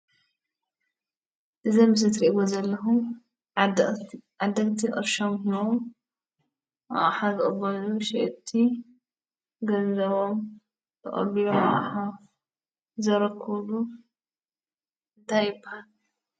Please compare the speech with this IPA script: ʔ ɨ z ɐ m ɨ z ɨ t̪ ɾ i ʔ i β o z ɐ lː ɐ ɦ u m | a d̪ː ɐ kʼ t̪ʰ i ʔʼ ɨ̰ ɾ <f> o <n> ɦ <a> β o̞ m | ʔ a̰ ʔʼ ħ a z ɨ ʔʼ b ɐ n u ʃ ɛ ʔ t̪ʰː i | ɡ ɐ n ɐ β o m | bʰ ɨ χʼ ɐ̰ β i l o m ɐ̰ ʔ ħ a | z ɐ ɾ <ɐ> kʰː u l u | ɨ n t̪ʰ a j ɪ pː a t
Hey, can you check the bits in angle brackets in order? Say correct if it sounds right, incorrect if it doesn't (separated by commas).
incorrect, incorrect, incorrect, correct